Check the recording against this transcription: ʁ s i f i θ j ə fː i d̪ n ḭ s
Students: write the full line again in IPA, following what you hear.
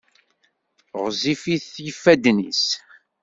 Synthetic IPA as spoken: ʁ z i f i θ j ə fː æ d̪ n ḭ s